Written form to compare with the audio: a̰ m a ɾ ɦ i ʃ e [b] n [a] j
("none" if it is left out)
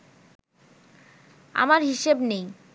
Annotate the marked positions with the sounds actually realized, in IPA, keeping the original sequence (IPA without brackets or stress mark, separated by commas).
b, e